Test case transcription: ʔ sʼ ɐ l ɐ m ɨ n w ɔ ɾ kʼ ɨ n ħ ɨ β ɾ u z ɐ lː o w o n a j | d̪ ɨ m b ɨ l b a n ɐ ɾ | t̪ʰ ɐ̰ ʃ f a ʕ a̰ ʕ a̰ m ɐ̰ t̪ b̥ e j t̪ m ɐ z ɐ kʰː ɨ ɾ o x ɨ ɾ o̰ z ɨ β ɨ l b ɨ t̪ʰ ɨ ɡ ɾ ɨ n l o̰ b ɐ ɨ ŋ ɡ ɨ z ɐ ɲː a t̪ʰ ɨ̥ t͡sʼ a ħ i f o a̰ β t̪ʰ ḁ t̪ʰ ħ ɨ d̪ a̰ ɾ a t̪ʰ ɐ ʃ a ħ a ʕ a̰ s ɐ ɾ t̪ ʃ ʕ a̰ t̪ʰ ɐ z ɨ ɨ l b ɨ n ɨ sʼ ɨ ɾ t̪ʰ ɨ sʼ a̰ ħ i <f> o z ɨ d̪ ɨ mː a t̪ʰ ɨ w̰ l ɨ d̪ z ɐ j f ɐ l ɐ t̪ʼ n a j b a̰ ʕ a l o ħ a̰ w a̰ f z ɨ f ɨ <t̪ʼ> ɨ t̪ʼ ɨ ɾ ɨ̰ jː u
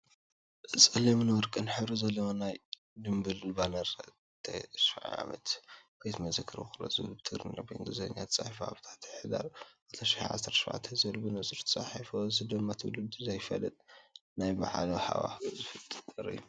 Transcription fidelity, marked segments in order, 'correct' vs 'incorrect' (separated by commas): correct, correct